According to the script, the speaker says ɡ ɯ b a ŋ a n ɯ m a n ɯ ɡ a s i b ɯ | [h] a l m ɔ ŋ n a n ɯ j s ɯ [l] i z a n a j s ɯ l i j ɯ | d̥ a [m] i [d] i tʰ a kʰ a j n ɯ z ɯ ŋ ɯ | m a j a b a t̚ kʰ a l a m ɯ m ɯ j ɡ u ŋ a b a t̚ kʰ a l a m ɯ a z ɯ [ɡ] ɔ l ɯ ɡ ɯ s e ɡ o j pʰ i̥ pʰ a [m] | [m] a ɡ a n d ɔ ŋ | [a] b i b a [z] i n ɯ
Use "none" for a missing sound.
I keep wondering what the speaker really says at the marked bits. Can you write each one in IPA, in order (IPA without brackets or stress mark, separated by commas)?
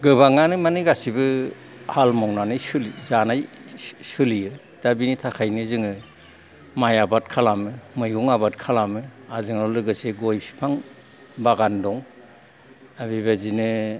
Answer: h, l, b, n, ŋ, ŋ, b, a, z